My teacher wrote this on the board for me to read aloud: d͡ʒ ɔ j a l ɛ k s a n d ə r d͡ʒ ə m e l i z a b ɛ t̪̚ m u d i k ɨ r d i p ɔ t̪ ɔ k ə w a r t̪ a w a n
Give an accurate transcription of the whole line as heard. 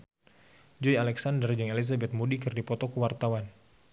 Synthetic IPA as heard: d͡ʒ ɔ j a l ɛ k s a n d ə r d͡ʒ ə ŋ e l i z a b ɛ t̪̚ m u d i k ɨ r d i p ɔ t̪ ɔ k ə w a r t̪ a w a n

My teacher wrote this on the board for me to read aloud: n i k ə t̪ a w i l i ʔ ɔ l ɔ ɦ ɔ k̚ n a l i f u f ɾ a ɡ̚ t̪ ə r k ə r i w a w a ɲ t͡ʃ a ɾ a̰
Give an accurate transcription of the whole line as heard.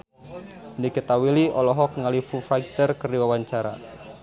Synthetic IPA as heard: n i k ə t̪ a w i l i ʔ ɔ l ɔ ɦ ɔ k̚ ŋ a l i f u f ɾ a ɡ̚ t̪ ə r k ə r i w a w a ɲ t͡ʃ a ɾ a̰

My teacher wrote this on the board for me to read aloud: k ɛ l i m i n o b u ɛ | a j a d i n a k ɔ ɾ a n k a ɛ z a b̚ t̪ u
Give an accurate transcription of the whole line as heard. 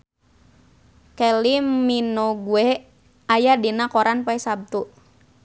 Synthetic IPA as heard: k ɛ l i m i n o ɡ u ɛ | a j a d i n a k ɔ ɾ a n p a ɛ s a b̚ t̪ u

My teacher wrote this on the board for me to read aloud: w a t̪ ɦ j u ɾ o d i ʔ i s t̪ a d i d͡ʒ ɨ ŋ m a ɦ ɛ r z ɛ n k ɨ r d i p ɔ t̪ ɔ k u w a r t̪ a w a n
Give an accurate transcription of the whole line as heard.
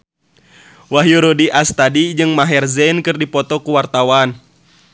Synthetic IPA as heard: w a ɦ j u ɾ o d i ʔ a s t̪ a d i d͡ʒ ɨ ŋ m a ɦ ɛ r z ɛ n k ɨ r d i p ɔ t̪ ɔ k u w a r t̪ a w a n

